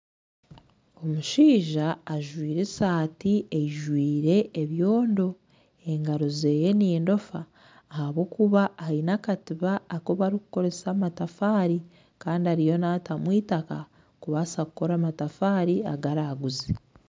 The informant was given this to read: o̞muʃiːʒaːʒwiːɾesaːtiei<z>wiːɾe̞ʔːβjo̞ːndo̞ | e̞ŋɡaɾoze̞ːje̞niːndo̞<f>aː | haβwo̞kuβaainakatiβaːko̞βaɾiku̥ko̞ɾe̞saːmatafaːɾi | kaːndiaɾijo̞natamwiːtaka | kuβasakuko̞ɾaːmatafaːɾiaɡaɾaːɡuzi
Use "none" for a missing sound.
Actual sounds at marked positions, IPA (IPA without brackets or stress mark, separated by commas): ʒ, f